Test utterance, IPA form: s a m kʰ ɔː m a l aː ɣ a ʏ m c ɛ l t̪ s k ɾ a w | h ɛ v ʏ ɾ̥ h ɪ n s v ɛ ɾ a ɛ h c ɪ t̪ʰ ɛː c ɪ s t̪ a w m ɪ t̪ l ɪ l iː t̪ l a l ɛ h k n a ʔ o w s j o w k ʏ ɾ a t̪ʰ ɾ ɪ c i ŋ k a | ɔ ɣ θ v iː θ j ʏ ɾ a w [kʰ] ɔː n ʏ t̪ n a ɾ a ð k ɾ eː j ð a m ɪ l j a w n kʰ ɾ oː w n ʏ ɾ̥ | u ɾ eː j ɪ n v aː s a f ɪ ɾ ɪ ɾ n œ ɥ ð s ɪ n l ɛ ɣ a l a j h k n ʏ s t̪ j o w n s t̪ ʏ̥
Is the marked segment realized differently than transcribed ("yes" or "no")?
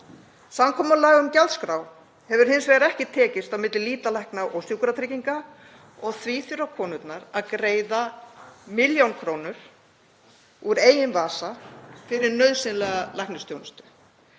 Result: no